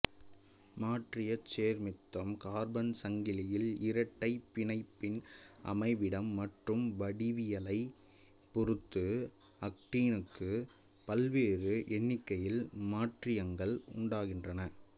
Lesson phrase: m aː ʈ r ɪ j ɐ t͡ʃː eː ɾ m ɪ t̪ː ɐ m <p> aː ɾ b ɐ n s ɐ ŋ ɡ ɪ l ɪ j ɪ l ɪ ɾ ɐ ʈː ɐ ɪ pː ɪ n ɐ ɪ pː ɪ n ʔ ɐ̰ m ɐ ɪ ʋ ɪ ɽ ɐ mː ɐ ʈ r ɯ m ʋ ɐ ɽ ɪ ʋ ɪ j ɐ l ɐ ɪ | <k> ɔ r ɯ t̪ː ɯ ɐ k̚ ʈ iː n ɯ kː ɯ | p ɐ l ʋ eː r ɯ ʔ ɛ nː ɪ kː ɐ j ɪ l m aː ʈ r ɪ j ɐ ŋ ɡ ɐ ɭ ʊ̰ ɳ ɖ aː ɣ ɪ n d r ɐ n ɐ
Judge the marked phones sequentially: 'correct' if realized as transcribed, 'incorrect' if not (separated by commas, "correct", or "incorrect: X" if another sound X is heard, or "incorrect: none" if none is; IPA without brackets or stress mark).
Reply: incorrect: k, incorrect: p